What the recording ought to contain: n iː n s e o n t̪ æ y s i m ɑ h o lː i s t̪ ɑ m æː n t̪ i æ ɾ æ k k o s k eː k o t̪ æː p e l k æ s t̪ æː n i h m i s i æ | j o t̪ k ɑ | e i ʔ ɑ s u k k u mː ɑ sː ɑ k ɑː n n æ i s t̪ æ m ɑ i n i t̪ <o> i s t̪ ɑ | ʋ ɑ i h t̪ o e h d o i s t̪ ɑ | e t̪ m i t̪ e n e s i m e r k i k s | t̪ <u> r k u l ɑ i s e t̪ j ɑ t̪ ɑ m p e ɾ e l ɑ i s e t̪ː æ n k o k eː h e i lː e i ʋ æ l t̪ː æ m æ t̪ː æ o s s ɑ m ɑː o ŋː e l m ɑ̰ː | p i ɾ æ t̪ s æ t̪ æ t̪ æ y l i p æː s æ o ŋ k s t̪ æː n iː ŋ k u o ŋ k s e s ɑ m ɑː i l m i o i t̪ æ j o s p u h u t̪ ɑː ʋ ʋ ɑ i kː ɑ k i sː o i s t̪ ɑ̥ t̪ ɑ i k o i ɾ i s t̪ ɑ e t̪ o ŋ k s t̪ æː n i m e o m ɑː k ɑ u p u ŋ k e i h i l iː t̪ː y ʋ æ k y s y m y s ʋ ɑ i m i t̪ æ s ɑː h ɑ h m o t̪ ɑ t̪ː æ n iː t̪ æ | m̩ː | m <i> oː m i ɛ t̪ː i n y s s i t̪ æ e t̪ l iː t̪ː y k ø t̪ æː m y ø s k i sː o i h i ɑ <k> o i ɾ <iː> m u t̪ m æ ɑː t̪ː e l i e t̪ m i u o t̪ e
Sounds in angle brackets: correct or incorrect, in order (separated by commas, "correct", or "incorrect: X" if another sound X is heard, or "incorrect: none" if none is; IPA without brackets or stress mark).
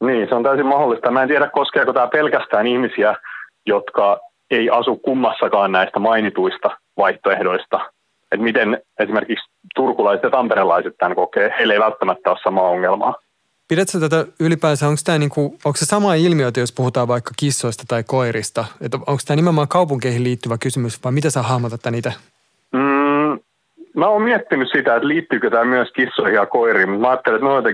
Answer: incorrect: u, correct, incorrect: æ, correct, correct